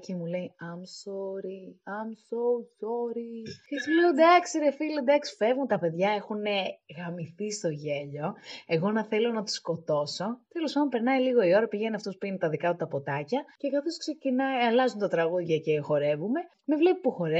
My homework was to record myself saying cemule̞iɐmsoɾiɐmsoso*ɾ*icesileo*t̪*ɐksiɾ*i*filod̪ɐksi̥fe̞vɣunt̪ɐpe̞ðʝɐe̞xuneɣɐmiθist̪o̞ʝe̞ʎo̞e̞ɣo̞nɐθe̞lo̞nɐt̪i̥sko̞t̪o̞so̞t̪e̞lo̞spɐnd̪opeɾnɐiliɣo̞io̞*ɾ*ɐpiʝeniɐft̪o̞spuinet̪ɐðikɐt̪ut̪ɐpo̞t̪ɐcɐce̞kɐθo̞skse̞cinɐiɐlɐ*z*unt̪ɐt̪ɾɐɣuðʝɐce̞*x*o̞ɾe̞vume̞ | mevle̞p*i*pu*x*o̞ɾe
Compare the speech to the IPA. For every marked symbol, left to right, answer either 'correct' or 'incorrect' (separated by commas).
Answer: correct, incorrect, incorrect, correct, correct, correct, correct, correct